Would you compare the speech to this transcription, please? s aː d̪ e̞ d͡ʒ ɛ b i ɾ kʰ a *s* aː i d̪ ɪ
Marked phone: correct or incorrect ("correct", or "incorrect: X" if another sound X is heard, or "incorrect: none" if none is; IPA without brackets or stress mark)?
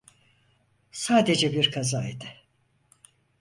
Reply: incorrect: z